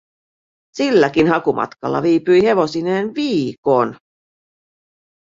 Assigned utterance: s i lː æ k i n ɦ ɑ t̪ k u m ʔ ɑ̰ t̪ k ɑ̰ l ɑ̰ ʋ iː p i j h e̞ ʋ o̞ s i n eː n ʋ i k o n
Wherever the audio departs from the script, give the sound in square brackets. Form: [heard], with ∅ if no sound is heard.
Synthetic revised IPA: s i lː æ k i n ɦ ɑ [∅] k u m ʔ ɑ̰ t̪ k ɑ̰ [lː] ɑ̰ ʋ iː p [y] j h e̞ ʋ o̞ s i n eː n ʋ [iː] k o n